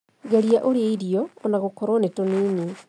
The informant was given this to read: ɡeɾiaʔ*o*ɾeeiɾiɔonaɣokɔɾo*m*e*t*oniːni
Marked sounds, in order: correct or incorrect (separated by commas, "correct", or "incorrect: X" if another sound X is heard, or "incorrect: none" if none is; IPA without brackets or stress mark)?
correct, incorrect: n, correct